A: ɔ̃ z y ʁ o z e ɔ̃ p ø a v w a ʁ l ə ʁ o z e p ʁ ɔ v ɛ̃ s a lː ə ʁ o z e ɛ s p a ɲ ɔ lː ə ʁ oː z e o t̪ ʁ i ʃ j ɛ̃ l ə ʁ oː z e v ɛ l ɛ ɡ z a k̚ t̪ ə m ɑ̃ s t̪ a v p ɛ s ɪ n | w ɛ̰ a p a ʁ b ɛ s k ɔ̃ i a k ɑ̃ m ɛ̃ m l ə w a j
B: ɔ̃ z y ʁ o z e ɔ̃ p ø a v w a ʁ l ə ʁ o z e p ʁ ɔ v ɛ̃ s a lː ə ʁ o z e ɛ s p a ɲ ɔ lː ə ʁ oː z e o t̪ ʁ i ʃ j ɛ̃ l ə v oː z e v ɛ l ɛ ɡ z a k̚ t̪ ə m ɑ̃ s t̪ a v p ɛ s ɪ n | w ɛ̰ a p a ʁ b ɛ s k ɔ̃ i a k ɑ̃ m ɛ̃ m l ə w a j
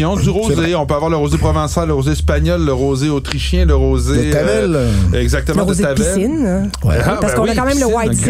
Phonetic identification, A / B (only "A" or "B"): A